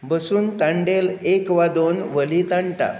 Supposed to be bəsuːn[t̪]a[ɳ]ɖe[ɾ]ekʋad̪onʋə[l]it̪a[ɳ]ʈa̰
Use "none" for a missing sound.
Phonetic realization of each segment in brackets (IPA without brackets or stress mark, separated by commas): t̪, ɳ, l, l, ɳ